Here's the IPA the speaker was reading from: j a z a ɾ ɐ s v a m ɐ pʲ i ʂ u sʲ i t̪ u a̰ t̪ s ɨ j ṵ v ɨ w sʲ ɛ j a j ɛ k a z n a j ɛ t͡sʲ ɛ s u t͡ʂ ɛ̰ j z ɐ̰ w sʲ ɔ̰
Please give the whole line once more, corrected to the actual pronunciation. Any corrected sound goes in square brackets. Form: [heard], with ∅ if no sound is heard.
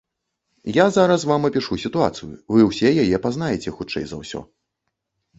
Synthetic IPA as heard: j a z a ɾ ɐ s v a m ɐ pʲ i ʂ u sʲ i t̪ u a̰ t̪ s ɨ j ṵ v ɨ w sʲ ɛ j a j ɛ [p] a z n a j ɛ t͡sʲ ɛ [x] u t͡ʂ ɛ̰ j z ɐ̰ w sʲ ɔ̰